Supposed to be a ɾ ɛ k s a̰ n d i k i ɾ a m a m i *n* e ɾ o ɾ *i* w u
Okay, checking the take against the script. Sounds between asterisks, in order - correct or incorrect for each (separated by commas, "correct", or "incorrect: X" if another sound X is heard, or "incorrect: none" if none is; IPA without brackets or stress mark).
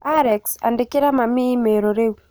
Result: incorrect: m, incorrect: e